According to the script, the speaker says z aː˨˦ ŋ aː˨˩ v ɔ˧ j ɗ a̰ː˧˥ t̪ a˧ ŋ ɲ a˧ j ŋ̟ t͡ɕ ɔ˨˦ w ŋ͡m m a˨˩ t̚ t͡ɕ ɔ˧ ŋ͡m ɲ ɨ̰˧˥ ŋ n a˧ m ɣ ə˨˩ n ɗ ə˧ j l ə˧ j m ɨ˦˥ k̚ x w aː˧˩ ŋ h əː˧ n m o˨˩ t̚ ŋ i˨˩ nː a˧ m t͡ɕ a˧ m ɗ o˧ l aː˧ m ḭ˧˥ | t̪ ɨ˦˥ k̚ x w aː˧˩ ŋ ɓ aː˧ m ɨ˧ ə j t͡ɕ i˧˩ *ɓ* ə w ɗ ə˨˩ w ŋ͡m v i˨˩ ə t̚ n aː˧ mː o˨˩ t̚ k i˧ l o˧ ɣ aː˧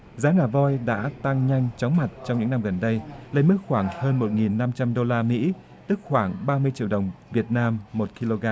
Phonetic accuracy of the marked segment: incorrect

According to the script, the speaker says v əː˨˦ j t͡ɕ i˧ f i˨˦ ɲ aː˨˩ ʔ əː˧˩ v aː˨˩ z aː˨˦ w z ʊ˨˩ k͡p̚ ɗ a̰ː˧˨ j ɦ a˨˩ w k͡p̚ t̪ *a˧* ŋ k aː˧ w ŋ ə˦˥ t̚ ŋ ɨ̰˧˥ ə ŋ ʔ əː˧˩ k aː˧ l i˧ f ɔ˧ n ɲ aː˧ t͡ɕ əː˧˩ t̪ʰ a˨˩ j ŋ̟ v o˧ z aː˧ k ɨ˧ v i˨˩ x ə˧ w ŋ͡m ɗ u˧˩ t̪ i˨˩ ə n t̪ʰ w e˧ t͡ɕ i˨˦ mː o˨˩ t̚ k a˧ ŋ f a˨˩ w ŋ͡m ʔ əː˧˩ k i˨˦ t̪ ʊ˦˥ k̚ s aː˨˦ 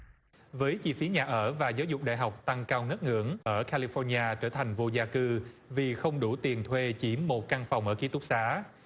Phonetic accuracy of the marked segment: correct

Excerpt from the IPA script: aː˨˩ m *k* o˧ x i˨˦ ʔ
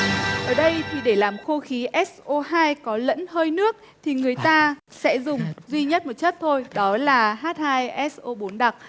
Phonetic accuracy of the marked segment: incorrect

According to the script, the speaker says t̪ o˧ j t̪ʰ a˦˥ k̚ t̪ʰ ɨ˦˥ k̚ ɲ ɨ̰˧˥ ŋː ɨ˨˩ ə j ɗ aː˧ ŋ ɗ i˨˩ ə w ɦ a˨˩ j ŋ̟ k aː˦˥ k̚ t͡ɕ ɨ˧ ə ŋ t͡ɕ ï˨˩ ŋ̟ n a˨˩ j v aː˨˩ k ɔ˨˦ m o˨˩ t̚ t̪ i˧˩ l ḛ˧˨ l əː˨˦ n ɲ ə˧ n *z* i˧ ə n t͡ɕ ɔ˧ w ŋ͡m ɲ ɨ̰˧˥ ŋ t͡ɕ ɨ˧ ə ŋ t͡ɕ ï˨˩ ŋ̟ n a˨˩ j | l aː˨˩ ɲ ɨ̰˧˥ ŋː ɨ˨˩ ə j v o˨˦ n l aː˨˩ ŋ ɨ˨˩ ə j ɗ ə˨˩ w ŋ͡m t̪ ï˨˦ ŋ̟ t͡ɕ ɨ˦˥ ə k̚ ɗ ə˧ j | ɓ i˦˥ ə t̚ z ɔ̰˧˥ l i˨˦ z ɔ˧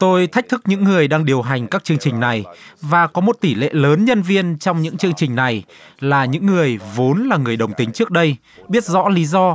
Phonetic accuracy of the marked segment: incorrect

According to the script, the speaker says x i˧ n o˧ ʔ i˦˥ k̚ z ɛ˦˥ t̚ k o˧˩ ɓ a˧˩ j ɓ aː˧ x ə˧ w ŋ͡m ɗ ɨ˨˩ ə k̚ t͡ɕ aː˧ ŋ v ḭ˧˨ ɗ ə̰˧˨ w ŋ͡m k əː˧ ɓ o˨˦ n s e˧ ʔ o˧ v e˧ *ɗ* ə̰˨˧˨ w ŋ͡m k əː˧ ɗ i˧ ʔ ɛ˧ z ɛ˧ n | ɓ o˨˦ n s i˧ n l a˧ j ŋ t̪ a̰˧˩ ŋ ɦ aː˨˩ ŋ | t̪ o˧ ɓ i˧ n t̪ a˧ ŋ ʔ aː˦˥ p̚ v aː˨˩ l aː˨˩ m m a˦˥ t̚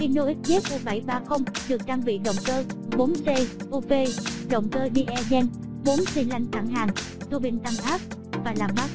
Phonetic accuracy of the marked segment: correct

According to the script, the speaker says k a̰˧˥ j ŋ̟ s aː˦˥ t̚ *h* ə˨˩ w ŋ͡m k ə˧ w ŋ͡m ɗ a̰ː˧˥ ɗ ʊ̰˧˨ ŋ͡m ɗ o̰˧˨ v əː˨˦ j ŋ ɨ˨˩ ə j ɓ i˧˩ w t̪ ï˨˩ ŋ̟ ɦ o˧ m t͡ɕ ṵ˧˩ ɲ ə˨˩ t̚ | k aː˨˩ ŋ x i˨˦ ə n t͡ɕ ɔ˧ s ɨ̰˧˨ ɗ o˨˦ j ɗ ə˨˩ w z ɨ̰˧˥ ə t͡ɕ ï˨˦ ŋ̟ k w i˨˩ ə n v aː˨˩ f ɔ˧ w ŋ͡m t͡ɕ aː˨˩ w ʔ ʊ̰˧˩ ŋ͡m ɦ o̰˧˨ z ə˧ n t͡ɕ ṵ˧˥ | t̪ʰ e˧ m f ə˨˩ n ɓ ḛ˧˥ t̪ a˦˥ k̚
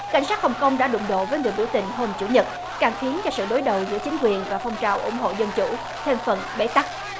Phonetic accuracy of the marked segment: correct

